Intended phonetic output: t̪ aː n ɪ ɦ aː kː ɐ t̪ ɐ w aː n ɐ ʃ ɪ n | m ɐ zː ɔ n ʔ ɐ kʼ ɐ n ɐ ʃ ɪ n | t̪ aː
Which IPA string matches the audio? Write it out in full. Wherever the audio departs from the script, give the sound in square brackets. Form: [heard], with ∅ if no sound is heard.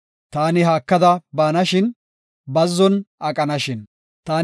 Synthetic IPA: t̪ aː n ɪ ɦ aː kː ɐ [d̪] ɐ [b] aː n ɐ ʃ ɪ n | [b] ɐ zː ɔ n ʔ ɐ kʼ ɐ n ɐ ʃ ɪ n | t̪ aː